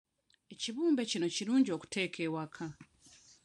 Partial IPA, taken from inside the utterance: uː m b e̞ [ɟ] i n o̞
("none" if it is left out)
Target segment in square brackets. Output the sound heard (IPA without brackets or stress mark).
c